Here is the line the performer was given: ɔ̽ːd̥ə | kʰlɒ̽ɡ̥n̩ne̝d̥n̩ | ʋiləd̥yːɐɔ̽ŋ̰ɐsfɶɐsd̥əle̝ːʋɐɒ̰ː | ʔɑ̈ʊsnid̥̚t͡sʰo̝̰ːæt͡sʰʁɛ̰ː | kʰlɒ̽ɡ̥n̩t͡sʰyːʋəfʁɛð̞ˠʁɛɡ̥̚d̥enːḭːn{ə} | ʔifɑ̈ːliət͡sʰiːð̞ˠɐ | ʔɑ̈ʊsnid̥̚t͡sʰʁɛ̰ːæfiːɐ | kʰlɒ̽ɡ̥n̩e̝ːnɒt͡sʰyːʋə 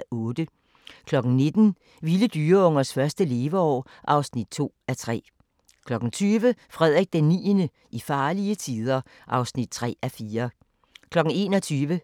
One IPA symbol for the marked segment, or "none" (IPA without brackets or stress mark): ə